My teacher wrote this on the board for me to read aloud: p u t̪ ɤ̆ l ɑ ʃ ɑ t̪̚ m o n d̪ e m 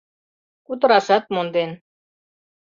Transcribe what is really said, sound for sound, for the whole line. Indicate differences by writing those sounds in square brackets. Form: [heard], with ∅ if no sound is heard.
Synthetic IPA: [k] u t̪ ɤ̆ [ɾ] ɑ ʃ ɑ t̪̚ m o n d̪ e [n]